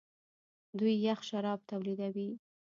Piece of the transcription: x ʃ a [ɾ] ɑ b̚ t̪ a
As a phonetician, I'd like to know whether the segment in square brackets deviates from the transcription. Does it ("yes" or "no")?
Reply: no